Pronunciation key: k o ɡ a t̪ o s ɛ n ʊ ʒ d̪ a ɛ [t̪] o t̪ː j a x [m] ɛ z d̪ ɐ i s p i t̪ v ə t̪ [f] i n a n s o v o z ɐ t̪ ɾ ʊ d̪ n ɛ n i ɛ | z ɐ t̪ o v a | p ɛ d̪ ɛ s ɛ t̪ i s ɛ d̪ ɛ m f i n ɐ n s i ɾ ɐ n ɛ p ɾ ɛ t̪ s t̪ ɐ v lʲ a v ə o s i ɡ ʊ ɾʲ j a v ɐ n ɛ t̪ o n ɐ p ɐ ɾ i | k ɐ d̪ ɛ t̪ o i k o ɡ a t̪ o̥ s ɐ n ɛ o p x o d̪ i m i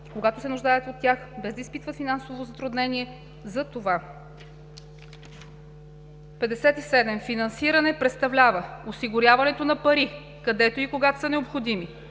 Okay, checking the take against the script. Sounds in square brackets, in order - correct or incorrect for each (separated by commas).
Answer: correct, incorrect, correct